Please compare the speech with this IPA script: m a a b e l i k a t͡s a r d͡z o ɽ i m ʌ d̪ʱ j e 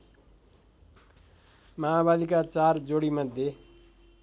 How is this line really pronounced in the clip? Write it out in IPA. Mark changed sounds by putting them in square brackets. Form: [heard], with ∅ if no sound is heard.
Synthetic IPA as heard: m a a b [a] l i k a t͡s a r d͡z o ɽ i m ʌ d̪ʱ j e